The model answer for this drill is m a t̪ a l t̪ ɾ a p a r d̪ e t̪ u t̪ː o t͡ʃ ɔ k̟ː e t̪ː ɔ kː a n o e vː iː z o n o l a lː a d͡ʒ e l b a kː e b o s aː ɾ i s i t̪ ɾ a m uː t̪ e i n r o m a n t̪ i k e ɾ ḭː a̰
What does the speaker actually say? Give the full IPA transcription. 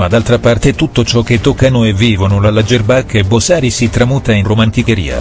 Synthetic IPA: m a d̪ a l t̪ ɾ a p a r t̪ e t̪ u t̪ː o t͡ʃ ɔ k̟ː e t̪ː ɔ kː a n o e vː iː v o n o l a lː a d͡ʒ e r b a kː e b o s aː ɾ i s i t̪ ɾ a m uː t̪ a i n r o m a n t̪ i k e ɾ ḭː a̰

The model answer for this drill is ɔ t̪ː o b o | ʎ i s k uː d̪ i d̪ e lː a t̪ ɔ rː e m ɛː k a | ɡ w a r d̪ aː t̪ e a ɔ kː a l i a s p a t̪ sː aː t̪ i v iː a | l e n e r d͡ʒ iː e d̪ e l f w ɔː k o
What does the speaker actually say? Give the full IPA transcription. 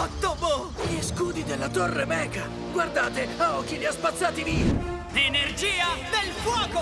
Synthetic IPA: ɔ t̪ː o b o | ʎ i s k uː d̪ i d̪ e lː a t̪ o rː e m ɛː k a | ɡ w a r d̪ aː t̪ e a ɔ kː i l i a s p a t̪ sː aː t̪ i v iː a | l e n e r d͡ʒ iː a d̪ e l f w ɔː k o

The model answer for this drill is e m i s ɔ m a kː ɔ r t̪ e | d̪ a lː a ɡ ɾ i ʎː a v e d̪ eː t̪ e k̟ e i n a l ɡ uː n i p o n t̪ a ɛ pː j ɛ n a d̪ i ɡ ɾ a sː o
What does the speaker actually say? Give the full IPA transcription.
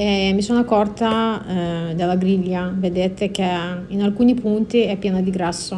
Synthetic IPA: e m i s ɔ n a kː ɔ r t̪ a | d̪ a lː a ɡ ɾ i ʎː a v e d̪ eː t̪ e k̟ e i n a l k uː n i p u n t̪ i ɛ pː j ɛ n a d̪ i ɡ ɾ a sː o

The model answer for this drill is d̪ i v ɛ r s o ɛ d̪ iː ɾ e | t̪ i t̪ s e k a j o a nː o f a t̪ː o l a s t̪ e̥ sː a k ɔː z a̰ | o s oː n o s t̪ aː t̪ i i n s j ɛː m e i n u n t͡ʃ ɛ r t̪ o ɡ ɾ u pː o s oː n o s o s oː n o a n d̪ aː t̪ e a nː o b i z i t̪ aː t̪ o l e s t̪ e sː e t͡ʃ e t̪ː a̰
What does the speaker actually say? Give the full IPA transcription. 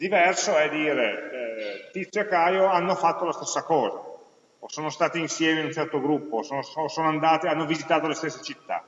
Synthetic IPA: d̪ i v ɛ r s o ɛ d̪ iː ɾ e | t̪ i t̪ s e k a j o a nː o f a t̪ː o l a s t̪ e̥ sː a k ɔː z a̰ | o s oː n o s t̪ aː t̪ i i n s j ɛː m e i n u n t͡ʃ ɛ r t̪ o ɡ ɾ u pː o s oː n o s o s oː n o a n d̪ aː t̪ e a nː o v i z i t̪ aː t̪ o l e s t̪ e sː e t͡ʃ i t̪ː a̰

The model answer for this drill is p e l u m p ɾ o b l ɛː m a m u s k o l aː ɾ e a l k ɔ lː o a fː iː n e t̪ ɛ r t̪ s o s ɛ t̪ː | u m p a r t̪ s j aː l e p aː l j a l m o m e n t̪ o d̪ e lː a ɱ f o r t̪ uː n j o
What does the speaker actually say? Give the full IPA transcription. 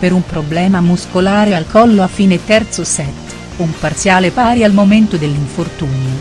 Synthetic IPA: p e ɾ u m p ɾ o b l ɛː m a m u s k o l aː ɾ e a l k ɔ lː o a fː iː n e t̪ ɛ r t̪ s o s ɛ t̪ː | u m p a r t̪ s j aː l e p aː ɾ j a l m o m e n t̪ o d̪ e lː i ɱ f o r t̪ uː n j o

